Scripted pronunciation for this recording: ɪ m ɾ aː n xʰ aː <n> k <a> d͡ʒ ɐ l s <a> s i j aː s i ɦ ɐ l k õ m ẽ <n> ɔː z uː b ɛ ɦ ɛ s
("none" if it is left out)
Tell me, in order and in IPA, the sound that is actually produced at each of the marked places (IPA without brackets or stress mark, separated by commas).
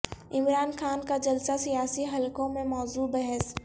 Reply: n, a, a, m